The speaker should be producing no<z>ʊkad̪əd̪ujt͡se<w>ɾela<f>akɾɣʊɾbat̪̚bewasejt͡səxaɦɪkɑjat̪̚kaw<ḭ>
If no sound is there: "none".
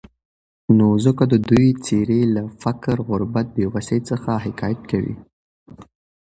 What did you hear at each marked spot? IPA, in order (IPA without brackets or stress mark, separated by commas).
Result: z, none, f, ḭ